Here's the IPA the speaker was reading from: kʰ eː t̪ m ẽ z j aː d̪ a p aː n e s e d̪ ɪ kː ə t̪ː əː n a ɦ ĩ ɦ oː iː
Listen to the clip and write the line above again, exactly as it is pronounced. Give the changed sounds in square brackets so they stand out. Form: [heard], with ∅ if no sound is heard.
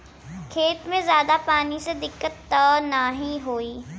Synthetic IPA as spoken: kʰ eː t̪ m ẽ z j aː d̪ a p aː n [i] s e d̪ ɪ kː ə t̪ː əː n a ɦ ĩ ɦ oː iː